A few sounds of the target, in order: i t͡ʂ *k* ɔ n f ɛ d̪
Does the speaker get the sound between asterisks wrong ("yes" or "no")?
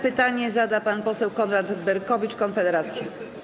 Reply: no